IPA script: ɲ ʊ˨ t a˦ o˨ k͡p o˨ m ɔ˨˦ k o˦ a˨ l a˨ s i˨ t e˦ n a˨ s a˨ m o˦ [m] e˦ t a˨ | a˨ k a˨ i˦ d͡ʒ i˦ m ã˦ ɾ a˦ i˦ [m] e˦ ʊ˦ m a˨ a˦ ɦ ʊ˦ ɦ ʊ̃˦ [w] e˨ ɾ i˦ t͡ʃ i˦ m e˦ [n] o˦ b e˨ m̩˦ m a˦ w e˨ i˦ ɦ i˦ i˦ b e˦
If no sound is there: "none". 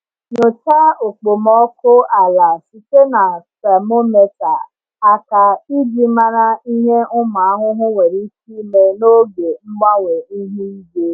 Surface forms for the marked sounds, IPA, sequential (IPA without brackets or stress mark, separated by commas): m, ɲ, w, n